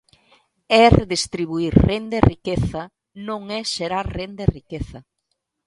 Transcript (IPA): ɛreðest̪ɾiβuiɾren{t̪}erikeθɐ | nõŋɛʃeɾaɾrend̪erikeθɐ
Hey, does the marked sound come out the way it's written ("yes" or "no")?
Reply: no